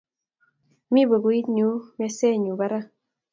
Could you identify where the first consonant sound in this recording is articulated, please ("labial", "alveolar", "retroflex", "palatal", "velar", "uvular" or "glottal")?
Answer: labial